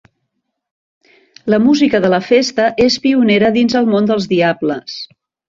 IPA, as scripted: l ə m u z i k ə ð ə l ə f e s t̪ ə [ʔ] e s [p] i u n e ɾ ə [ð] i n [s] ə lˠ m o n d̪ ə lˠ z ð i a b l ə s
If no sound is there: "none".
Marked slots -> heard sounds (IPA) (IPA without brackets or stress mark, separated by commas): ʔ, p, ð, z